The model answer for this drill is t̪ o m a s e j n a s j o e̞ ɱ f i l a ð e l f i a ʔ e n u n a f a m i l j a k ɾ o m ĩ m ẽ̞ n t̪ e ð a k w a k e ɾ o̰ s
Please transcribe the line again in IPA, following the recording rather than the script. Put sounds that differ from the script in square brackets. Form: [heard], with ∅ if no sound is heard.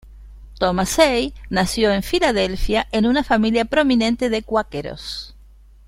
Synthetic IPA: t̪ o m a s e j n a s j o e̞ ɱ f i l a ð e l f [j] a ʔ e n u n a f a m i l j a [p] ɾ o m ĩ [n] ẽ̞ n t̪ e ð [e] k w a k e ɾ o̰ s